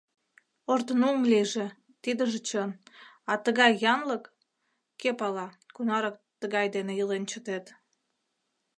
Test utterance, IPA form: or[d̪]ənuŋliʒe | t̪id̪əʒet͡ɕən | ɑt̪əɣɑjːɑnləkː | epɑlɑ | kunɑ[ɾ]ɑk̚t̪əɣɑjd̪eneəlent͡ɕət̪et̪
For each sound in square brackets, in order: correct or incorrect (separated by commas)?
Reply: incorrect, correct